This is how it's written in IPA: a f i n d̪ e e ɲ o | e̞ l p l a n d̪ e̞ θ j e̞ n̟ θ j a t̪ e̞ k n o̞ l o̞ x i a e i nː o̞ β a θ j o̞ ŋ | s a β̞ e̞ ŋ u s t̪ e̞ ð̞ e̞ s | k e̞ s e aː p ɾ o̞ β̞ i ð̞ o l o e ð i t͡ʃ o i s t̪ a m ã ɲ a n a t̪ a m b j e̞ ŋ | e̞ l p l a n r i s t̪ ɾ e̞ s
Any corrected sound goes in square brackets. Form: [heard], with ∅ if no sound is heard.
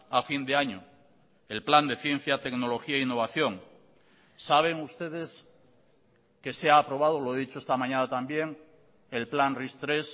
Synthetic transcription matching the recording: a f i n d̪ e [a] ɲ o | e̞ l p l a n d̪ e̞ θ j e̞ n̟ θ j a t̪ e̞ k n o̞ l o̞ x i a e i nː o̞ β a θ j o̞ ŋ | s a β̞ e̞ ŋ u s t̪ e̞ ð̞ e̞ s | k e̞ s e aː p ɾ o̞ β̞ [a] ð̞ o l o e ð i t͡ʃ o [e] s t̪ a m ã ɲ a n a t̪ a m b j e̞ ŋ | e̞ l p l a n r i s t̪ ɾ e̞ s